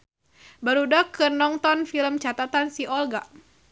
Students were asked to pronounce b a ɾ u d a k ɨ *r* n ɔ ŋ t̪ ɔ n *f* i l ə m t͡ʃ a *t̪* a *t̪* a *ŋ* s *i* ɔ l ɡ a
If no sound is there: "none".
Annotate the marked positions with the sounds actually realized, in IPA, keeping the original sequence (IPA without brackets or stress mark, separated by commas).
r, f, t̪, t̪, n, i